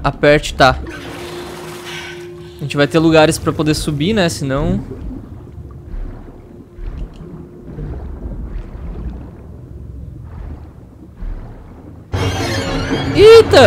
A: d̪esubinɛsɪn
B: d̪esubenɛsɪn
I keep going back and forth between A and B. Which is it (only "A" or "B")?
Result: A